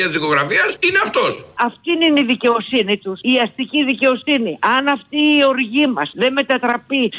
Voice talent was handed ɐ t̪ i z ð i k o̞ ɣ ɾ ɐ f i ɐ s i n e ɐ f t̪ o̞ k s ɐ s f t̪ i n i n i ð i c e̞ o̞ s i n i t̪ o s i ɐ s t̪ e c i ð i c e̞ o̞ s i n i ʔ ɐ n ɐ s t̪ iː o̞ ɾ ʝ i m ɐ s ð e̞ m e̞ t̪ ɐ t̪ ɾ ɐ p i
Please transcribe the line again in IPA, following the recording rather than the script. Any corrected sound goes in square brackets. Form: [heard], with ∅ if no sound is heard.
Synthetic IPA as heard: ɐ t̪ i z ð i k o̞ ɣ ɾ ɐ f i ɐ s i n e ɐ f t̪ o̞ [∅] s ɐ [∅] f t̪ i n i n i ð i c e̞ o̞ s i n i t̪ [u] s i ɐ s t̪ [i] c i ð i c e̞ o̞ s i n i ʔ ɐ n ɐ [f] t̪ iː o̞ ɾ ʝ i m ɐ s ð e̞ m e̞ t̪ ɐ t̪ ɾ ɐ p i